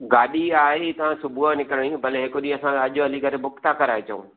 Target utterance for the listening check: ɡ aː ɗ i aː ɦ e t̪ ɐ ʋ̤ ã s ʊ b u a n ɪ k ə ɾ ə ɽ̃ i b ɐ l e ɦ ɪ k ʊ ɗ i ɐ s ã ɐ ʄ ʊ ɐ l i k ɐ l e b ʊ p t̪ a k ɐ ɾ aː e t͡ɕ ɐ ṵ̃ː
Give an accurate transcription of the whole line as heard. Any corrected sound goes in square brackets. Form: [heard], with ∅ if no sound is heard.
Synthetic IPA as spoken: ɡ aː ɗ i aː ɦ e t̪ ɐ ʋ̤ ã s ʊ b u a n ɪ k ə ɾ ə ɽ̃ i b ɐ l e ɦ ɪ k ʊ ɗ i ɐ s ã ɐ ʄ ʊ ɐ l i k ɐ [ɾ] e b ʊ [k] t̪ a k ɐ ɾ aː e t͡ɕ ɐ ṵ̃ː